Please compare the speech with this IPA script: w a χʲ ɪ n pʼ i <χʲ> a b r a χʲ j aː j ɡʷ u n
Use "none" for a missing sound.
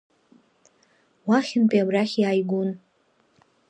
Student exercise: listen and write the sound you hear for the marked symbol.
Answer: none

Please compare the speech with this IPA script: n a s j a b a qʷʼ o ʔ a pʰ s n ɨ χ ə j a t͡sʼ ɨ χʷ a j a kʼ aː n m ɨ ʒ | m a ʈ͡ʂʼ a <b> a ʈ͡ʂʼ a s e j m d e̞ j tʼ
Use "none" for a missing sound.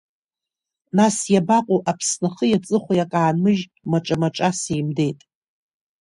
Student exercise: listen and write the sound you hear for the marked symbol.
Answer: m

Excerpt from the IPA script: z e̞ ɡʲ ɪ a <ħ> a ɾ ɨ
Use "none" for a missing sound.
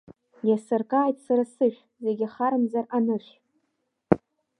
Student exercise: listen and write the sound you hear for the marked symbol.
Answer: χ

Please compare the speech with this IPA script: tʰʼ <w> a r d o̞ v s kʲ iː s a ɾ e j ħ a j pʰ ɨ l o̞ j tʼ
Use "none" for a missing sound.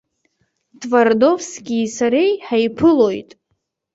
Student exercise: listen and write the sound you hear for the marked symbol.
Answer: v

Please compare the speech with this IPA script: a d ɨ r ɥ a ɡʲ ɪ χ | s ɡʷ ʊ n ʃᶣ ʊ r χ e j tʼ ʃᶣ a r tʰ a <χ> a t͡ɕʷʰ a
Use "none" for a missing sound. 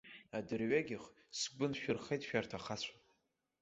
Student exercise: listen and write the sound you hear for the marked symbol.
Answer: χ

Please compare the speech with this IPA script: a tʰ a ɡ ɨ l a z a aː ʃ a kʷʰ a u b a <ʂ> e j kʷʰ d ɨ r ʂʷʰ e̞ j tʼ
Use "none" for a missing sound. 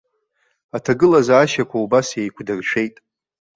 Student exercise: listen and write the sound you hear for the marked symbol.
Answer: s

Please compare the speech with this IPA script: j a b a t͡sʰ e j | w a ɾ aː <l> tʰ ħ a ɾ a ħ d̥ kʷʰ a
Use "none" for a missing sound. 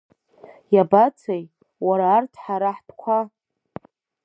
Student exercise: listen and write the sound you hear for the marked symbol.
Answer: r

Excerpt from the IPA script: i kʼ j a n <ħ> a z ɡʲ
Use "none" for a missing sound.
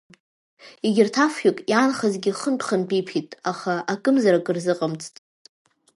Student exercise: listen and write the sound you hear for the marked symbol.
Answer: χ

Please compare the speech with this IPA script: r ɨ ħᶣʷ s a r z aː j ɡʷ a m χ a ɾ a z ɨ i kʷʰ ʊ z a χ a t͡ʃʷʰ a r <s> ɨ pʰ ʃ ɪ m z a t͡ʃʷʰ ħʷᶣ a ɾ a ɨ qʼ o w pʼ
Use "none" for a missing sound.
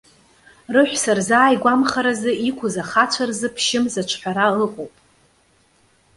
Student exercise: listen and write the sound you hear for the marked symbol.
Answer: z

